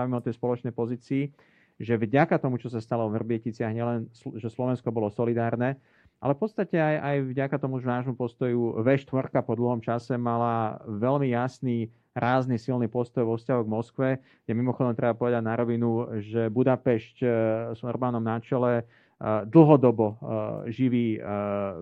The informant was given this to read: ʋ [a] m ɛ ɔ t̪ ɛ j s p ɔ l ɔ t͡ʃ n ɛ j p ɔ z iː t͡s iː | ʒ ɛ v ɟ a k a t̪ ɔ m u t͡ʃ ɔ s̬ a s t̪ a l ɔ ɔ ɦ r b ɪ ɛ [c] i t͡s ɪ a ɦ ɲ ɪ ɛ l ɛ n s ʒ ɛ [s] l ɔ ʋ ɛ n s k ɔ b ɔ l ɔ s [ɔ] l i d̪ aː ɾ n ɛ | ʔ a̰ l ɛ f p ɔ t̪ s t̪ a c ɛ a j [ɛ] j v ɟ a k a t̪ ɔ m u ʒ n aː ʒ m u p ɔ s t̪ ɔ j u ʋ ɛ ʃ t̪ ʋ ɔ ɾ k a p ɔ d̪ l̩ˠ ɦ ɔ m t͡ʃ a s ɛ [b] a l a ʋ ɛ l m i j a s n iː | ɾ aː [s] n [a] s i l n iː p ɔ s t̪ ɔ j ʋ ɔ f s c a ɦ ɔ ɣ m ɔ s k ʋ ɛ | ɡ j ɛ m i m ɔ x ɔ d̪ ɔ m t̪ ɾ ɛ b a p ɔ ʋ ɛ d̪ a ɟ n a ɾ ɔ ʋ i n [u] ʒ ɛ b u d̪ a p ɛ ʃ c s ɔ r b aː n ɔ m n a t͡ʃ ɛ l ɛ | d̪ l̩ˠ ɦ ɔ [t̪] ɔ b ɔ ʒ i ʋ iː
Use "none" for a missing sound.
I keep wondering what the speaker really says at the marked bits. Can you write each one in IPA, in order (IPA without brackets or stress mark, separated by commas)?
i, c, s, ɔ, a, m, z, i, u, d̪